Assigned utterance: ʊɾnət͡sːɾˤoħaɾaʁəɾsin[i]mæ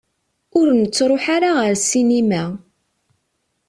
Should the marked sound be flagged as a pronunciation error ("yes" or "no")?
no